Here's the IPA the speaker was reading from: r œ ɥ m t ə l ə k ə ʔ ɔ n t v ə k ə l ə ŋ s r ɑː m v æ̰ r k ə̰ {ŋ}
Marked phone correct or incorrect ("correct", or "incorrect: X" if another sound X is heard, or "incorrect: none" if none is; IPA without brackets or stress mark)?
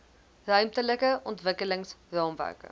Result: incorrect: none